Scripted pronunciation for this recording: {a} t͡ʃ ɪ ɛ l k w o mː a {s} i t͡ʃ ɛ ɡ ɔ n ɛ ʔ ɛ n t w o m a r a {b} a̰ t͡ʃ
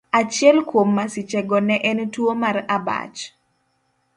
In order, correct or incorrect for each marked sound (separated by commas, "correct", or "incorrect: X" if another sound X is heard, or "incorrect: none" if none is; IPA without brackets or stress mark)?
correct, correct, correct